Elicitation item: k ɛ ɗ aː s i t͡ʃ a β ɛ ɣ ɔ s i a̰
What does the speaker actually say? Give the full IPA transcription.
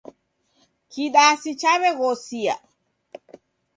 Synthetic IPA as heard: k i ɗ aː s i t͡ʃ a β ɛ ɣ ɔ s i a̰